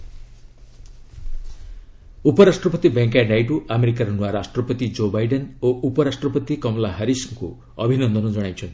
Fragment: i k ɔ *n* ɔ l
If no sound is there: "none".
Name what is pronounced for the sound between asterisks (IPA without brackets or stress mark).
m